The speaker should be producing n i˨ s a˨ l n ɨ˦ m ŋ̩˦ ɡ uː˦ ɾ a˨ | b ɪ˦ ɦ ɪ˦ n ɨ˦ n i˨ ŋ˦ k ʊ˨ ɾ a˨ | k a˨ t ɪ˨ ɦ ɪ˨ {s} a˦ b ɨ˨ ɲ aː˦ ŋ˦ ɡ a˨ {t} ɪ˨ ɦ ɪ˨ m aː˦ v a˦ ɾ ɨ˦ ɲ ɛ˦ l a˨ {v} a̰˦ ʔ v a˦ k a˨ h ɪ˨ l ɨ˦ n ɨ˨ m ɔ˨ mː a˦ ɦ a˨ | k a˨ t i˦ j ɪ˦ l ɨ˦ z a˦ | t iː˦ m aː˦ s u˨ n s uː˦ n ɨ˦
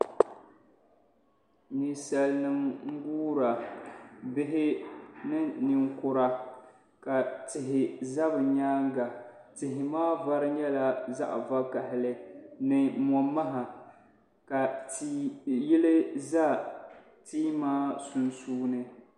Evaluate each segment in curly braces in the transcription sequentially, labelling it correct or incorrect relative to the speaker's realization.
incorrect: z, correct, incorrect: z

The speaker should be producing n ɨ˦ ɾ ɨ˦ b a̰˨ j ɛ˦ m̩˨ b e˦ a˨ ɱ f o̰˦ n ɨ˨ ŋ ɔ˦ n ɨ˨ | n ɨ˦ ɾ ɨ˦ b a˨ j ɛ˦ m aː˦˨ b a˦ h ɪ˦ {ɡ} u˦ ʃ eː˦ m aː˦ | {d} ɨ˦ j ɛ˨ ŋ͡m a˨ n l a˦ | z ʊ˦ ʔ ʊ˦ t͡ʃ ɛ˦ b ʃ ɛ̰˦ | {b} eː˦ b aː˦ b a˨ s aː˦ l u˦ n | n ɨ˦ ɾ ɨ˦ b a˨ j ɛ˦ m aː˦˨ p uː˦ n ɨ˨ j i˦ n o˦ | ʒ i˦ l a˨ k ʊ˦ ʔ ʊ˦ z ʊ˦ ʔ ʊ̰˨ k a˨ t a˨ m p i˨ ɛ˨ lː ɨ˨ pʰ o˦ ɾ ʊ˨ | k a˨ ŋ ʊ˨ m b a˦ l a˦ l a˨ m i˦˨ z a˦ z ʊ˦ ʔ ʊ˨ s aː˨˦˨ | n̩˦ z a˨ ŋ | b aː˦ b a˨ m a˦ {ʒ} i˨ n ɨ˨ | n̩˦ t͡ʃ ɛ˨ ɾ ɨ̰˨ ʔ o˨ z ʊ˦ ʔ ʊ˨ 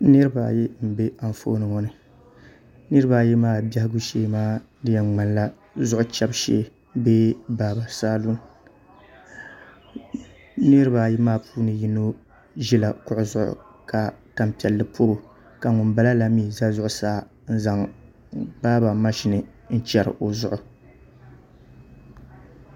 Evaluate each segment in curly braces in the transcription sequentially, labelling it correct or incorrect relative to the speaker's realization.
correct, correct, correct, incorrect: ʃ

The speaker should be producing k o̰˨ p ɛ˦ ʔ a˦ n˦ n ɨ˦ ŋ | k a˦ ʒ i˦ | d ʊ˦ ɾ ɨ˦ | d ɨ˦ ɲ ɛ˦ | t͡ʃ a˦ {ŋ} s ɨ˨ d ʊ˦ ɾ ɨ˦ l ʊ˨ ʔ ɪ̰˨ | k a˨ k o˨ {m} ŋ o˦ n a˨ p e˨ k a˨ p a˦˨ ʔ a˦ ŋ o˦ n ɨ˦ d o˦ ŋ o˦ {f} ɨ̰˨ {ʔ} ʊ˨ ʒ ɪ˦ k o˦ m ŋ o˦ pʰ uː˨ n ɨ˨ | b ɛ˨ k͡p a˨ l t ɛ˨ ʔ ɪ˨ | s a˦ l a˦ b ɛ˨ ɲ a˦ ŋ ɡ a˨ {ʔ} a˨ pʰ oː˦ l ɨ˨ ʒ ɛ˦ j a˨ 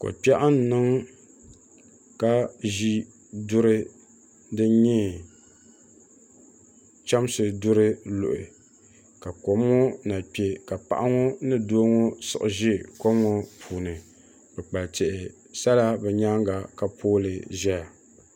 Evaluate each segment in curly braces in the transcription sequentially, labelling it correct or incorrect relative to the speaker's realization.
incorrect: m, correct, incorrect: s, correct, incorrect: k

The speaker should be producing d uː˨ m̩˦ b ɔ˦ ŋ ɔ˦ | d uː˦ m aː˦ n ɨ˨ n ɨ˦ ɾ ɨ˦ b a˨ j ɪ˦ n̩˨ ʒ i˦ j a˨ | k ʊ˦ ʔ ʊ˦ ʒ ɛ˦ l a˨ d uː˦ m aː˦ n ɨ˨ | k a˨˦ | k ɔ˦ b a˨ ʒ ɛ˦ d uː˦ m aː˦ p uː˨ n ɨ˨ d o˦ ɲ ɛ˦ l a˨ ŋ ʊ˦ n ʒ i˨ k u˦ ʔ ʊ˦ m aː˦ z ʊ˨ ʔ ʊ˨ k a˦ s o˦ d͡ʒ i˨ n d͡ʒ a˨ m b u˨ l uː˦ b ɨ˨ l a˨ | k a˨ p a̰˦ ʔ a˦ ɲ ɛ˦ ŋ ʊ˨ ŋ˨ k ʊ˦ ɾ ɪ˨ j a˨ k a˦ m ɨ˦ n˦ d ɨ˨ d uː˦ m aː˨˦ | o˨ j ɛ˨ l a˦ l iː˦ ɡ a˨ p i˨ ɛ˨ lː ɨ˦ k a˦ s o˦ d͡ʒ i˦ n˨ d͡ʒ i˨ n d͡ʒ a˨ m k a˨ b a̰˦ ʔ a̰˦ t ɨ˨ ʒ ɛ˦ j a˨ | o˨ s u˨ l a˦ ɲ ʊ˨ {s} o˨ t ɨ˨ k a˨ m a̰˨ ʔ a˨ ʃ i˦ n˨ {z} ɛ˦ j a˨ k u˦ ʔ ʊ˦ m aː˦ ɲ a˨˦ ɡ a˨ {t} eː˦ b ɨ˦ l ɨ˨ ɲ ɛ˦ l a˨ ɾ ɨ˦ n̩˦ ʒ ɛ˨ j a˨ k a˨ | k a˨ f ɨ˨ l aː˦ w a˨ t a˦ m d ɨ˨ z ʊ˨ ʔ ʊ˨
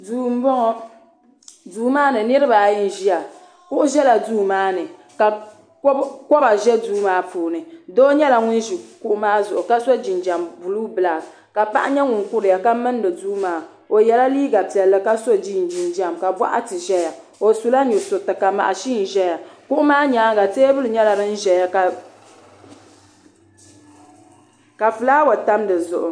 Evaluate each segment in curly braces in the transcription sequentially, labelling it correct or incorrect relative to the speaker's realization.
correct, incorrect: ʒ, correct

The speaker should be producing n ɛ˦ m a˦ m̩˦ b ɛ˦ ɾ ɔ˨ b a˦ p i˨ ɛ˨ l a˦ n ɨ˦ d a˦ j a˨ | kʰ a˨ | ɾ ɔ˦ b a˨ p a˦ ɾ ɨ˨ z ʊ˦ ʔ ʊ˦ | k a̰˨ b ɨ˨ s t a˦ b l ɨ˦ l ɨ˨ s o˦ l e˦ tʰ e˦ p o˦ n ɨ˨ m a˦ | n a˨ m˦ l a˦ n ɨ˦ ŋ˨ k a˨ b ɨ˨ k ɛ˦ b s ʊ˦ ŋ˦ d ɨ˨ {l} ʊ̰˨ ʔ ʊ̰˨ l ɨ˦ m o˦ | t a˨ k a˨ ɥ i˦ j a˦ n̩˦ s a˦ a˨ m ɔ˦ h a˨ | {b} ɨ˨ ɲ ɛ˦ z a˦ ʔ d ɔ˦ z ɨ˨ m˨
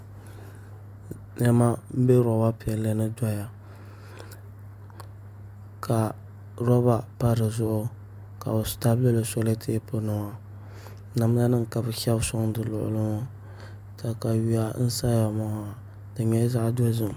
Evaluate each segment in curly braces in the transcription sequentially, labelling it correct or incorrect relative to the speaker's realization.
correct, incorrect: d

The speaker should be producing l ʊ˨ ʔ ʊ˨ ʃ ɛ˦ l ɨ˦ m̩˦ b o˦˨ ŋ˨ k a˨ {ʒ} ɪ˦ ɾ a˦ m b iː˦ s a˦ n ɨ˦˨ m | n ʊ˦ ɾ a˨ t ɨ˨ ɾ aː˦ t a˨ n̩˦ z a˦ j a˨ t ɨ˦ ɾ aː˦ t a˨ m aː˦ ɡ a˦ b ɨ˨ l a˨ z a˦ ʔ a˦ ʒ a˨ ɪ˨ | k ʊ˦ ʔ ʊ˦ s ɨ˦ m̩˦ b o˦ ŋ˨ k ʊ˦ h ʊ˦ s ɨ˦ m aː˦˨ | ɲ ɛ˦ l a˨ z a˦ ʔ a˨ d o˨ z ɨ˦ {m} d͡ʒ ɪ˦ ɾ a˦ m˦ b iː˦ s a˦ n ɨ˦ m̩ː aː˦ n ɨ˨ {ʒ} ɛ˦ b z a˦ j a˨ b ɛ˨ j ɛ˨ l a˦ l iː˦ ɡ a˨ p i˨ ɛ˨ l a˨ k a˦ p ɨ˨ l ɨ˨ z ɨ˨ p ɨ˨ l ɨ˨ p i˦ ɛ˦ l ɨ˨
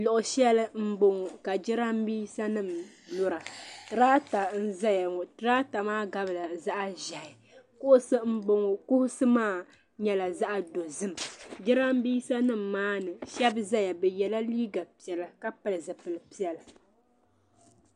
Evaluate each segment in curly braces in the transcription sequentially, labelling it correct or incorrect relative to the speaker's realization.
incorrect: d͡ʒ, correct, incorrect: ʃ

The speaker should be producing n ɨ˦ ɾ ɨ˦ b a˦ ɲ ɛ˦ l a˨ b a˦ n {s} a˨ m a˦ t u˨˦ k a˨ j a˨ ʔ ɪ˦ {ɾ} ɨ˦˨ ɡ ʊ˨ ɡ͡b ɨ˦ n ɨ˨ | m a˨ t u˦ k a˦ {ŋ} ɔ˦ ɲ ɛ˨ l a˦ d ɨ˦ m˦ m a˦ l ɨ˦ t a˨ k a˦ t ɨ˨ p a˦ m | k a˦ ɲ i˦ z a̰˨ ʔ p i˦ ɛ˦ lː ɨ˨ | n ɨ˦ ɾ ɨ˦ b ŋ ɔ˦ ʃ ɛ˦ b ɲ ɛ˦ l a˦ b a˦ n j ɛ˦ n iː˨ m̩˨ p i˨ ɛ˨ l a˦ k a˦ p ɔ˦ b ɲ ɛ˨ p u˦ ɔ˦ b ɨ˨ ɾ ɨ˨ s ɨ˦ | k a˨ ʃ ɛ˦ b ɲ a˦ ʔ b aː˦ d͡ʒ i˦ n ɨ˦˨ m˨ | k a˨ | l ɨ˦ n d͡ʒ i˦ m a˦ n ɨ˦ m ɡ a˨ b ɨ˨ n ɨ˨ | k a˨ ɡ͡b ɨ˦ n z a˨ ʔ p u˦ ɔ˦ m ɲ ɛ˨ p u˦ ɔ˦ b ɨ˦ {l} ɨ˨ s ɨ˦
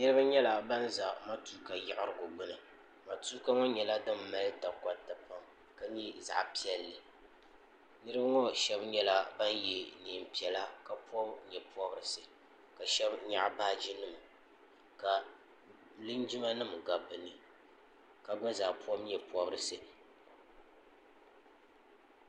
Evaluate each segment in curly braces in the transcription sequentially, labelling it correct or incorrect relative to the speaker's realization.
incorrect: z, correct, correct, incorrect: ɾ

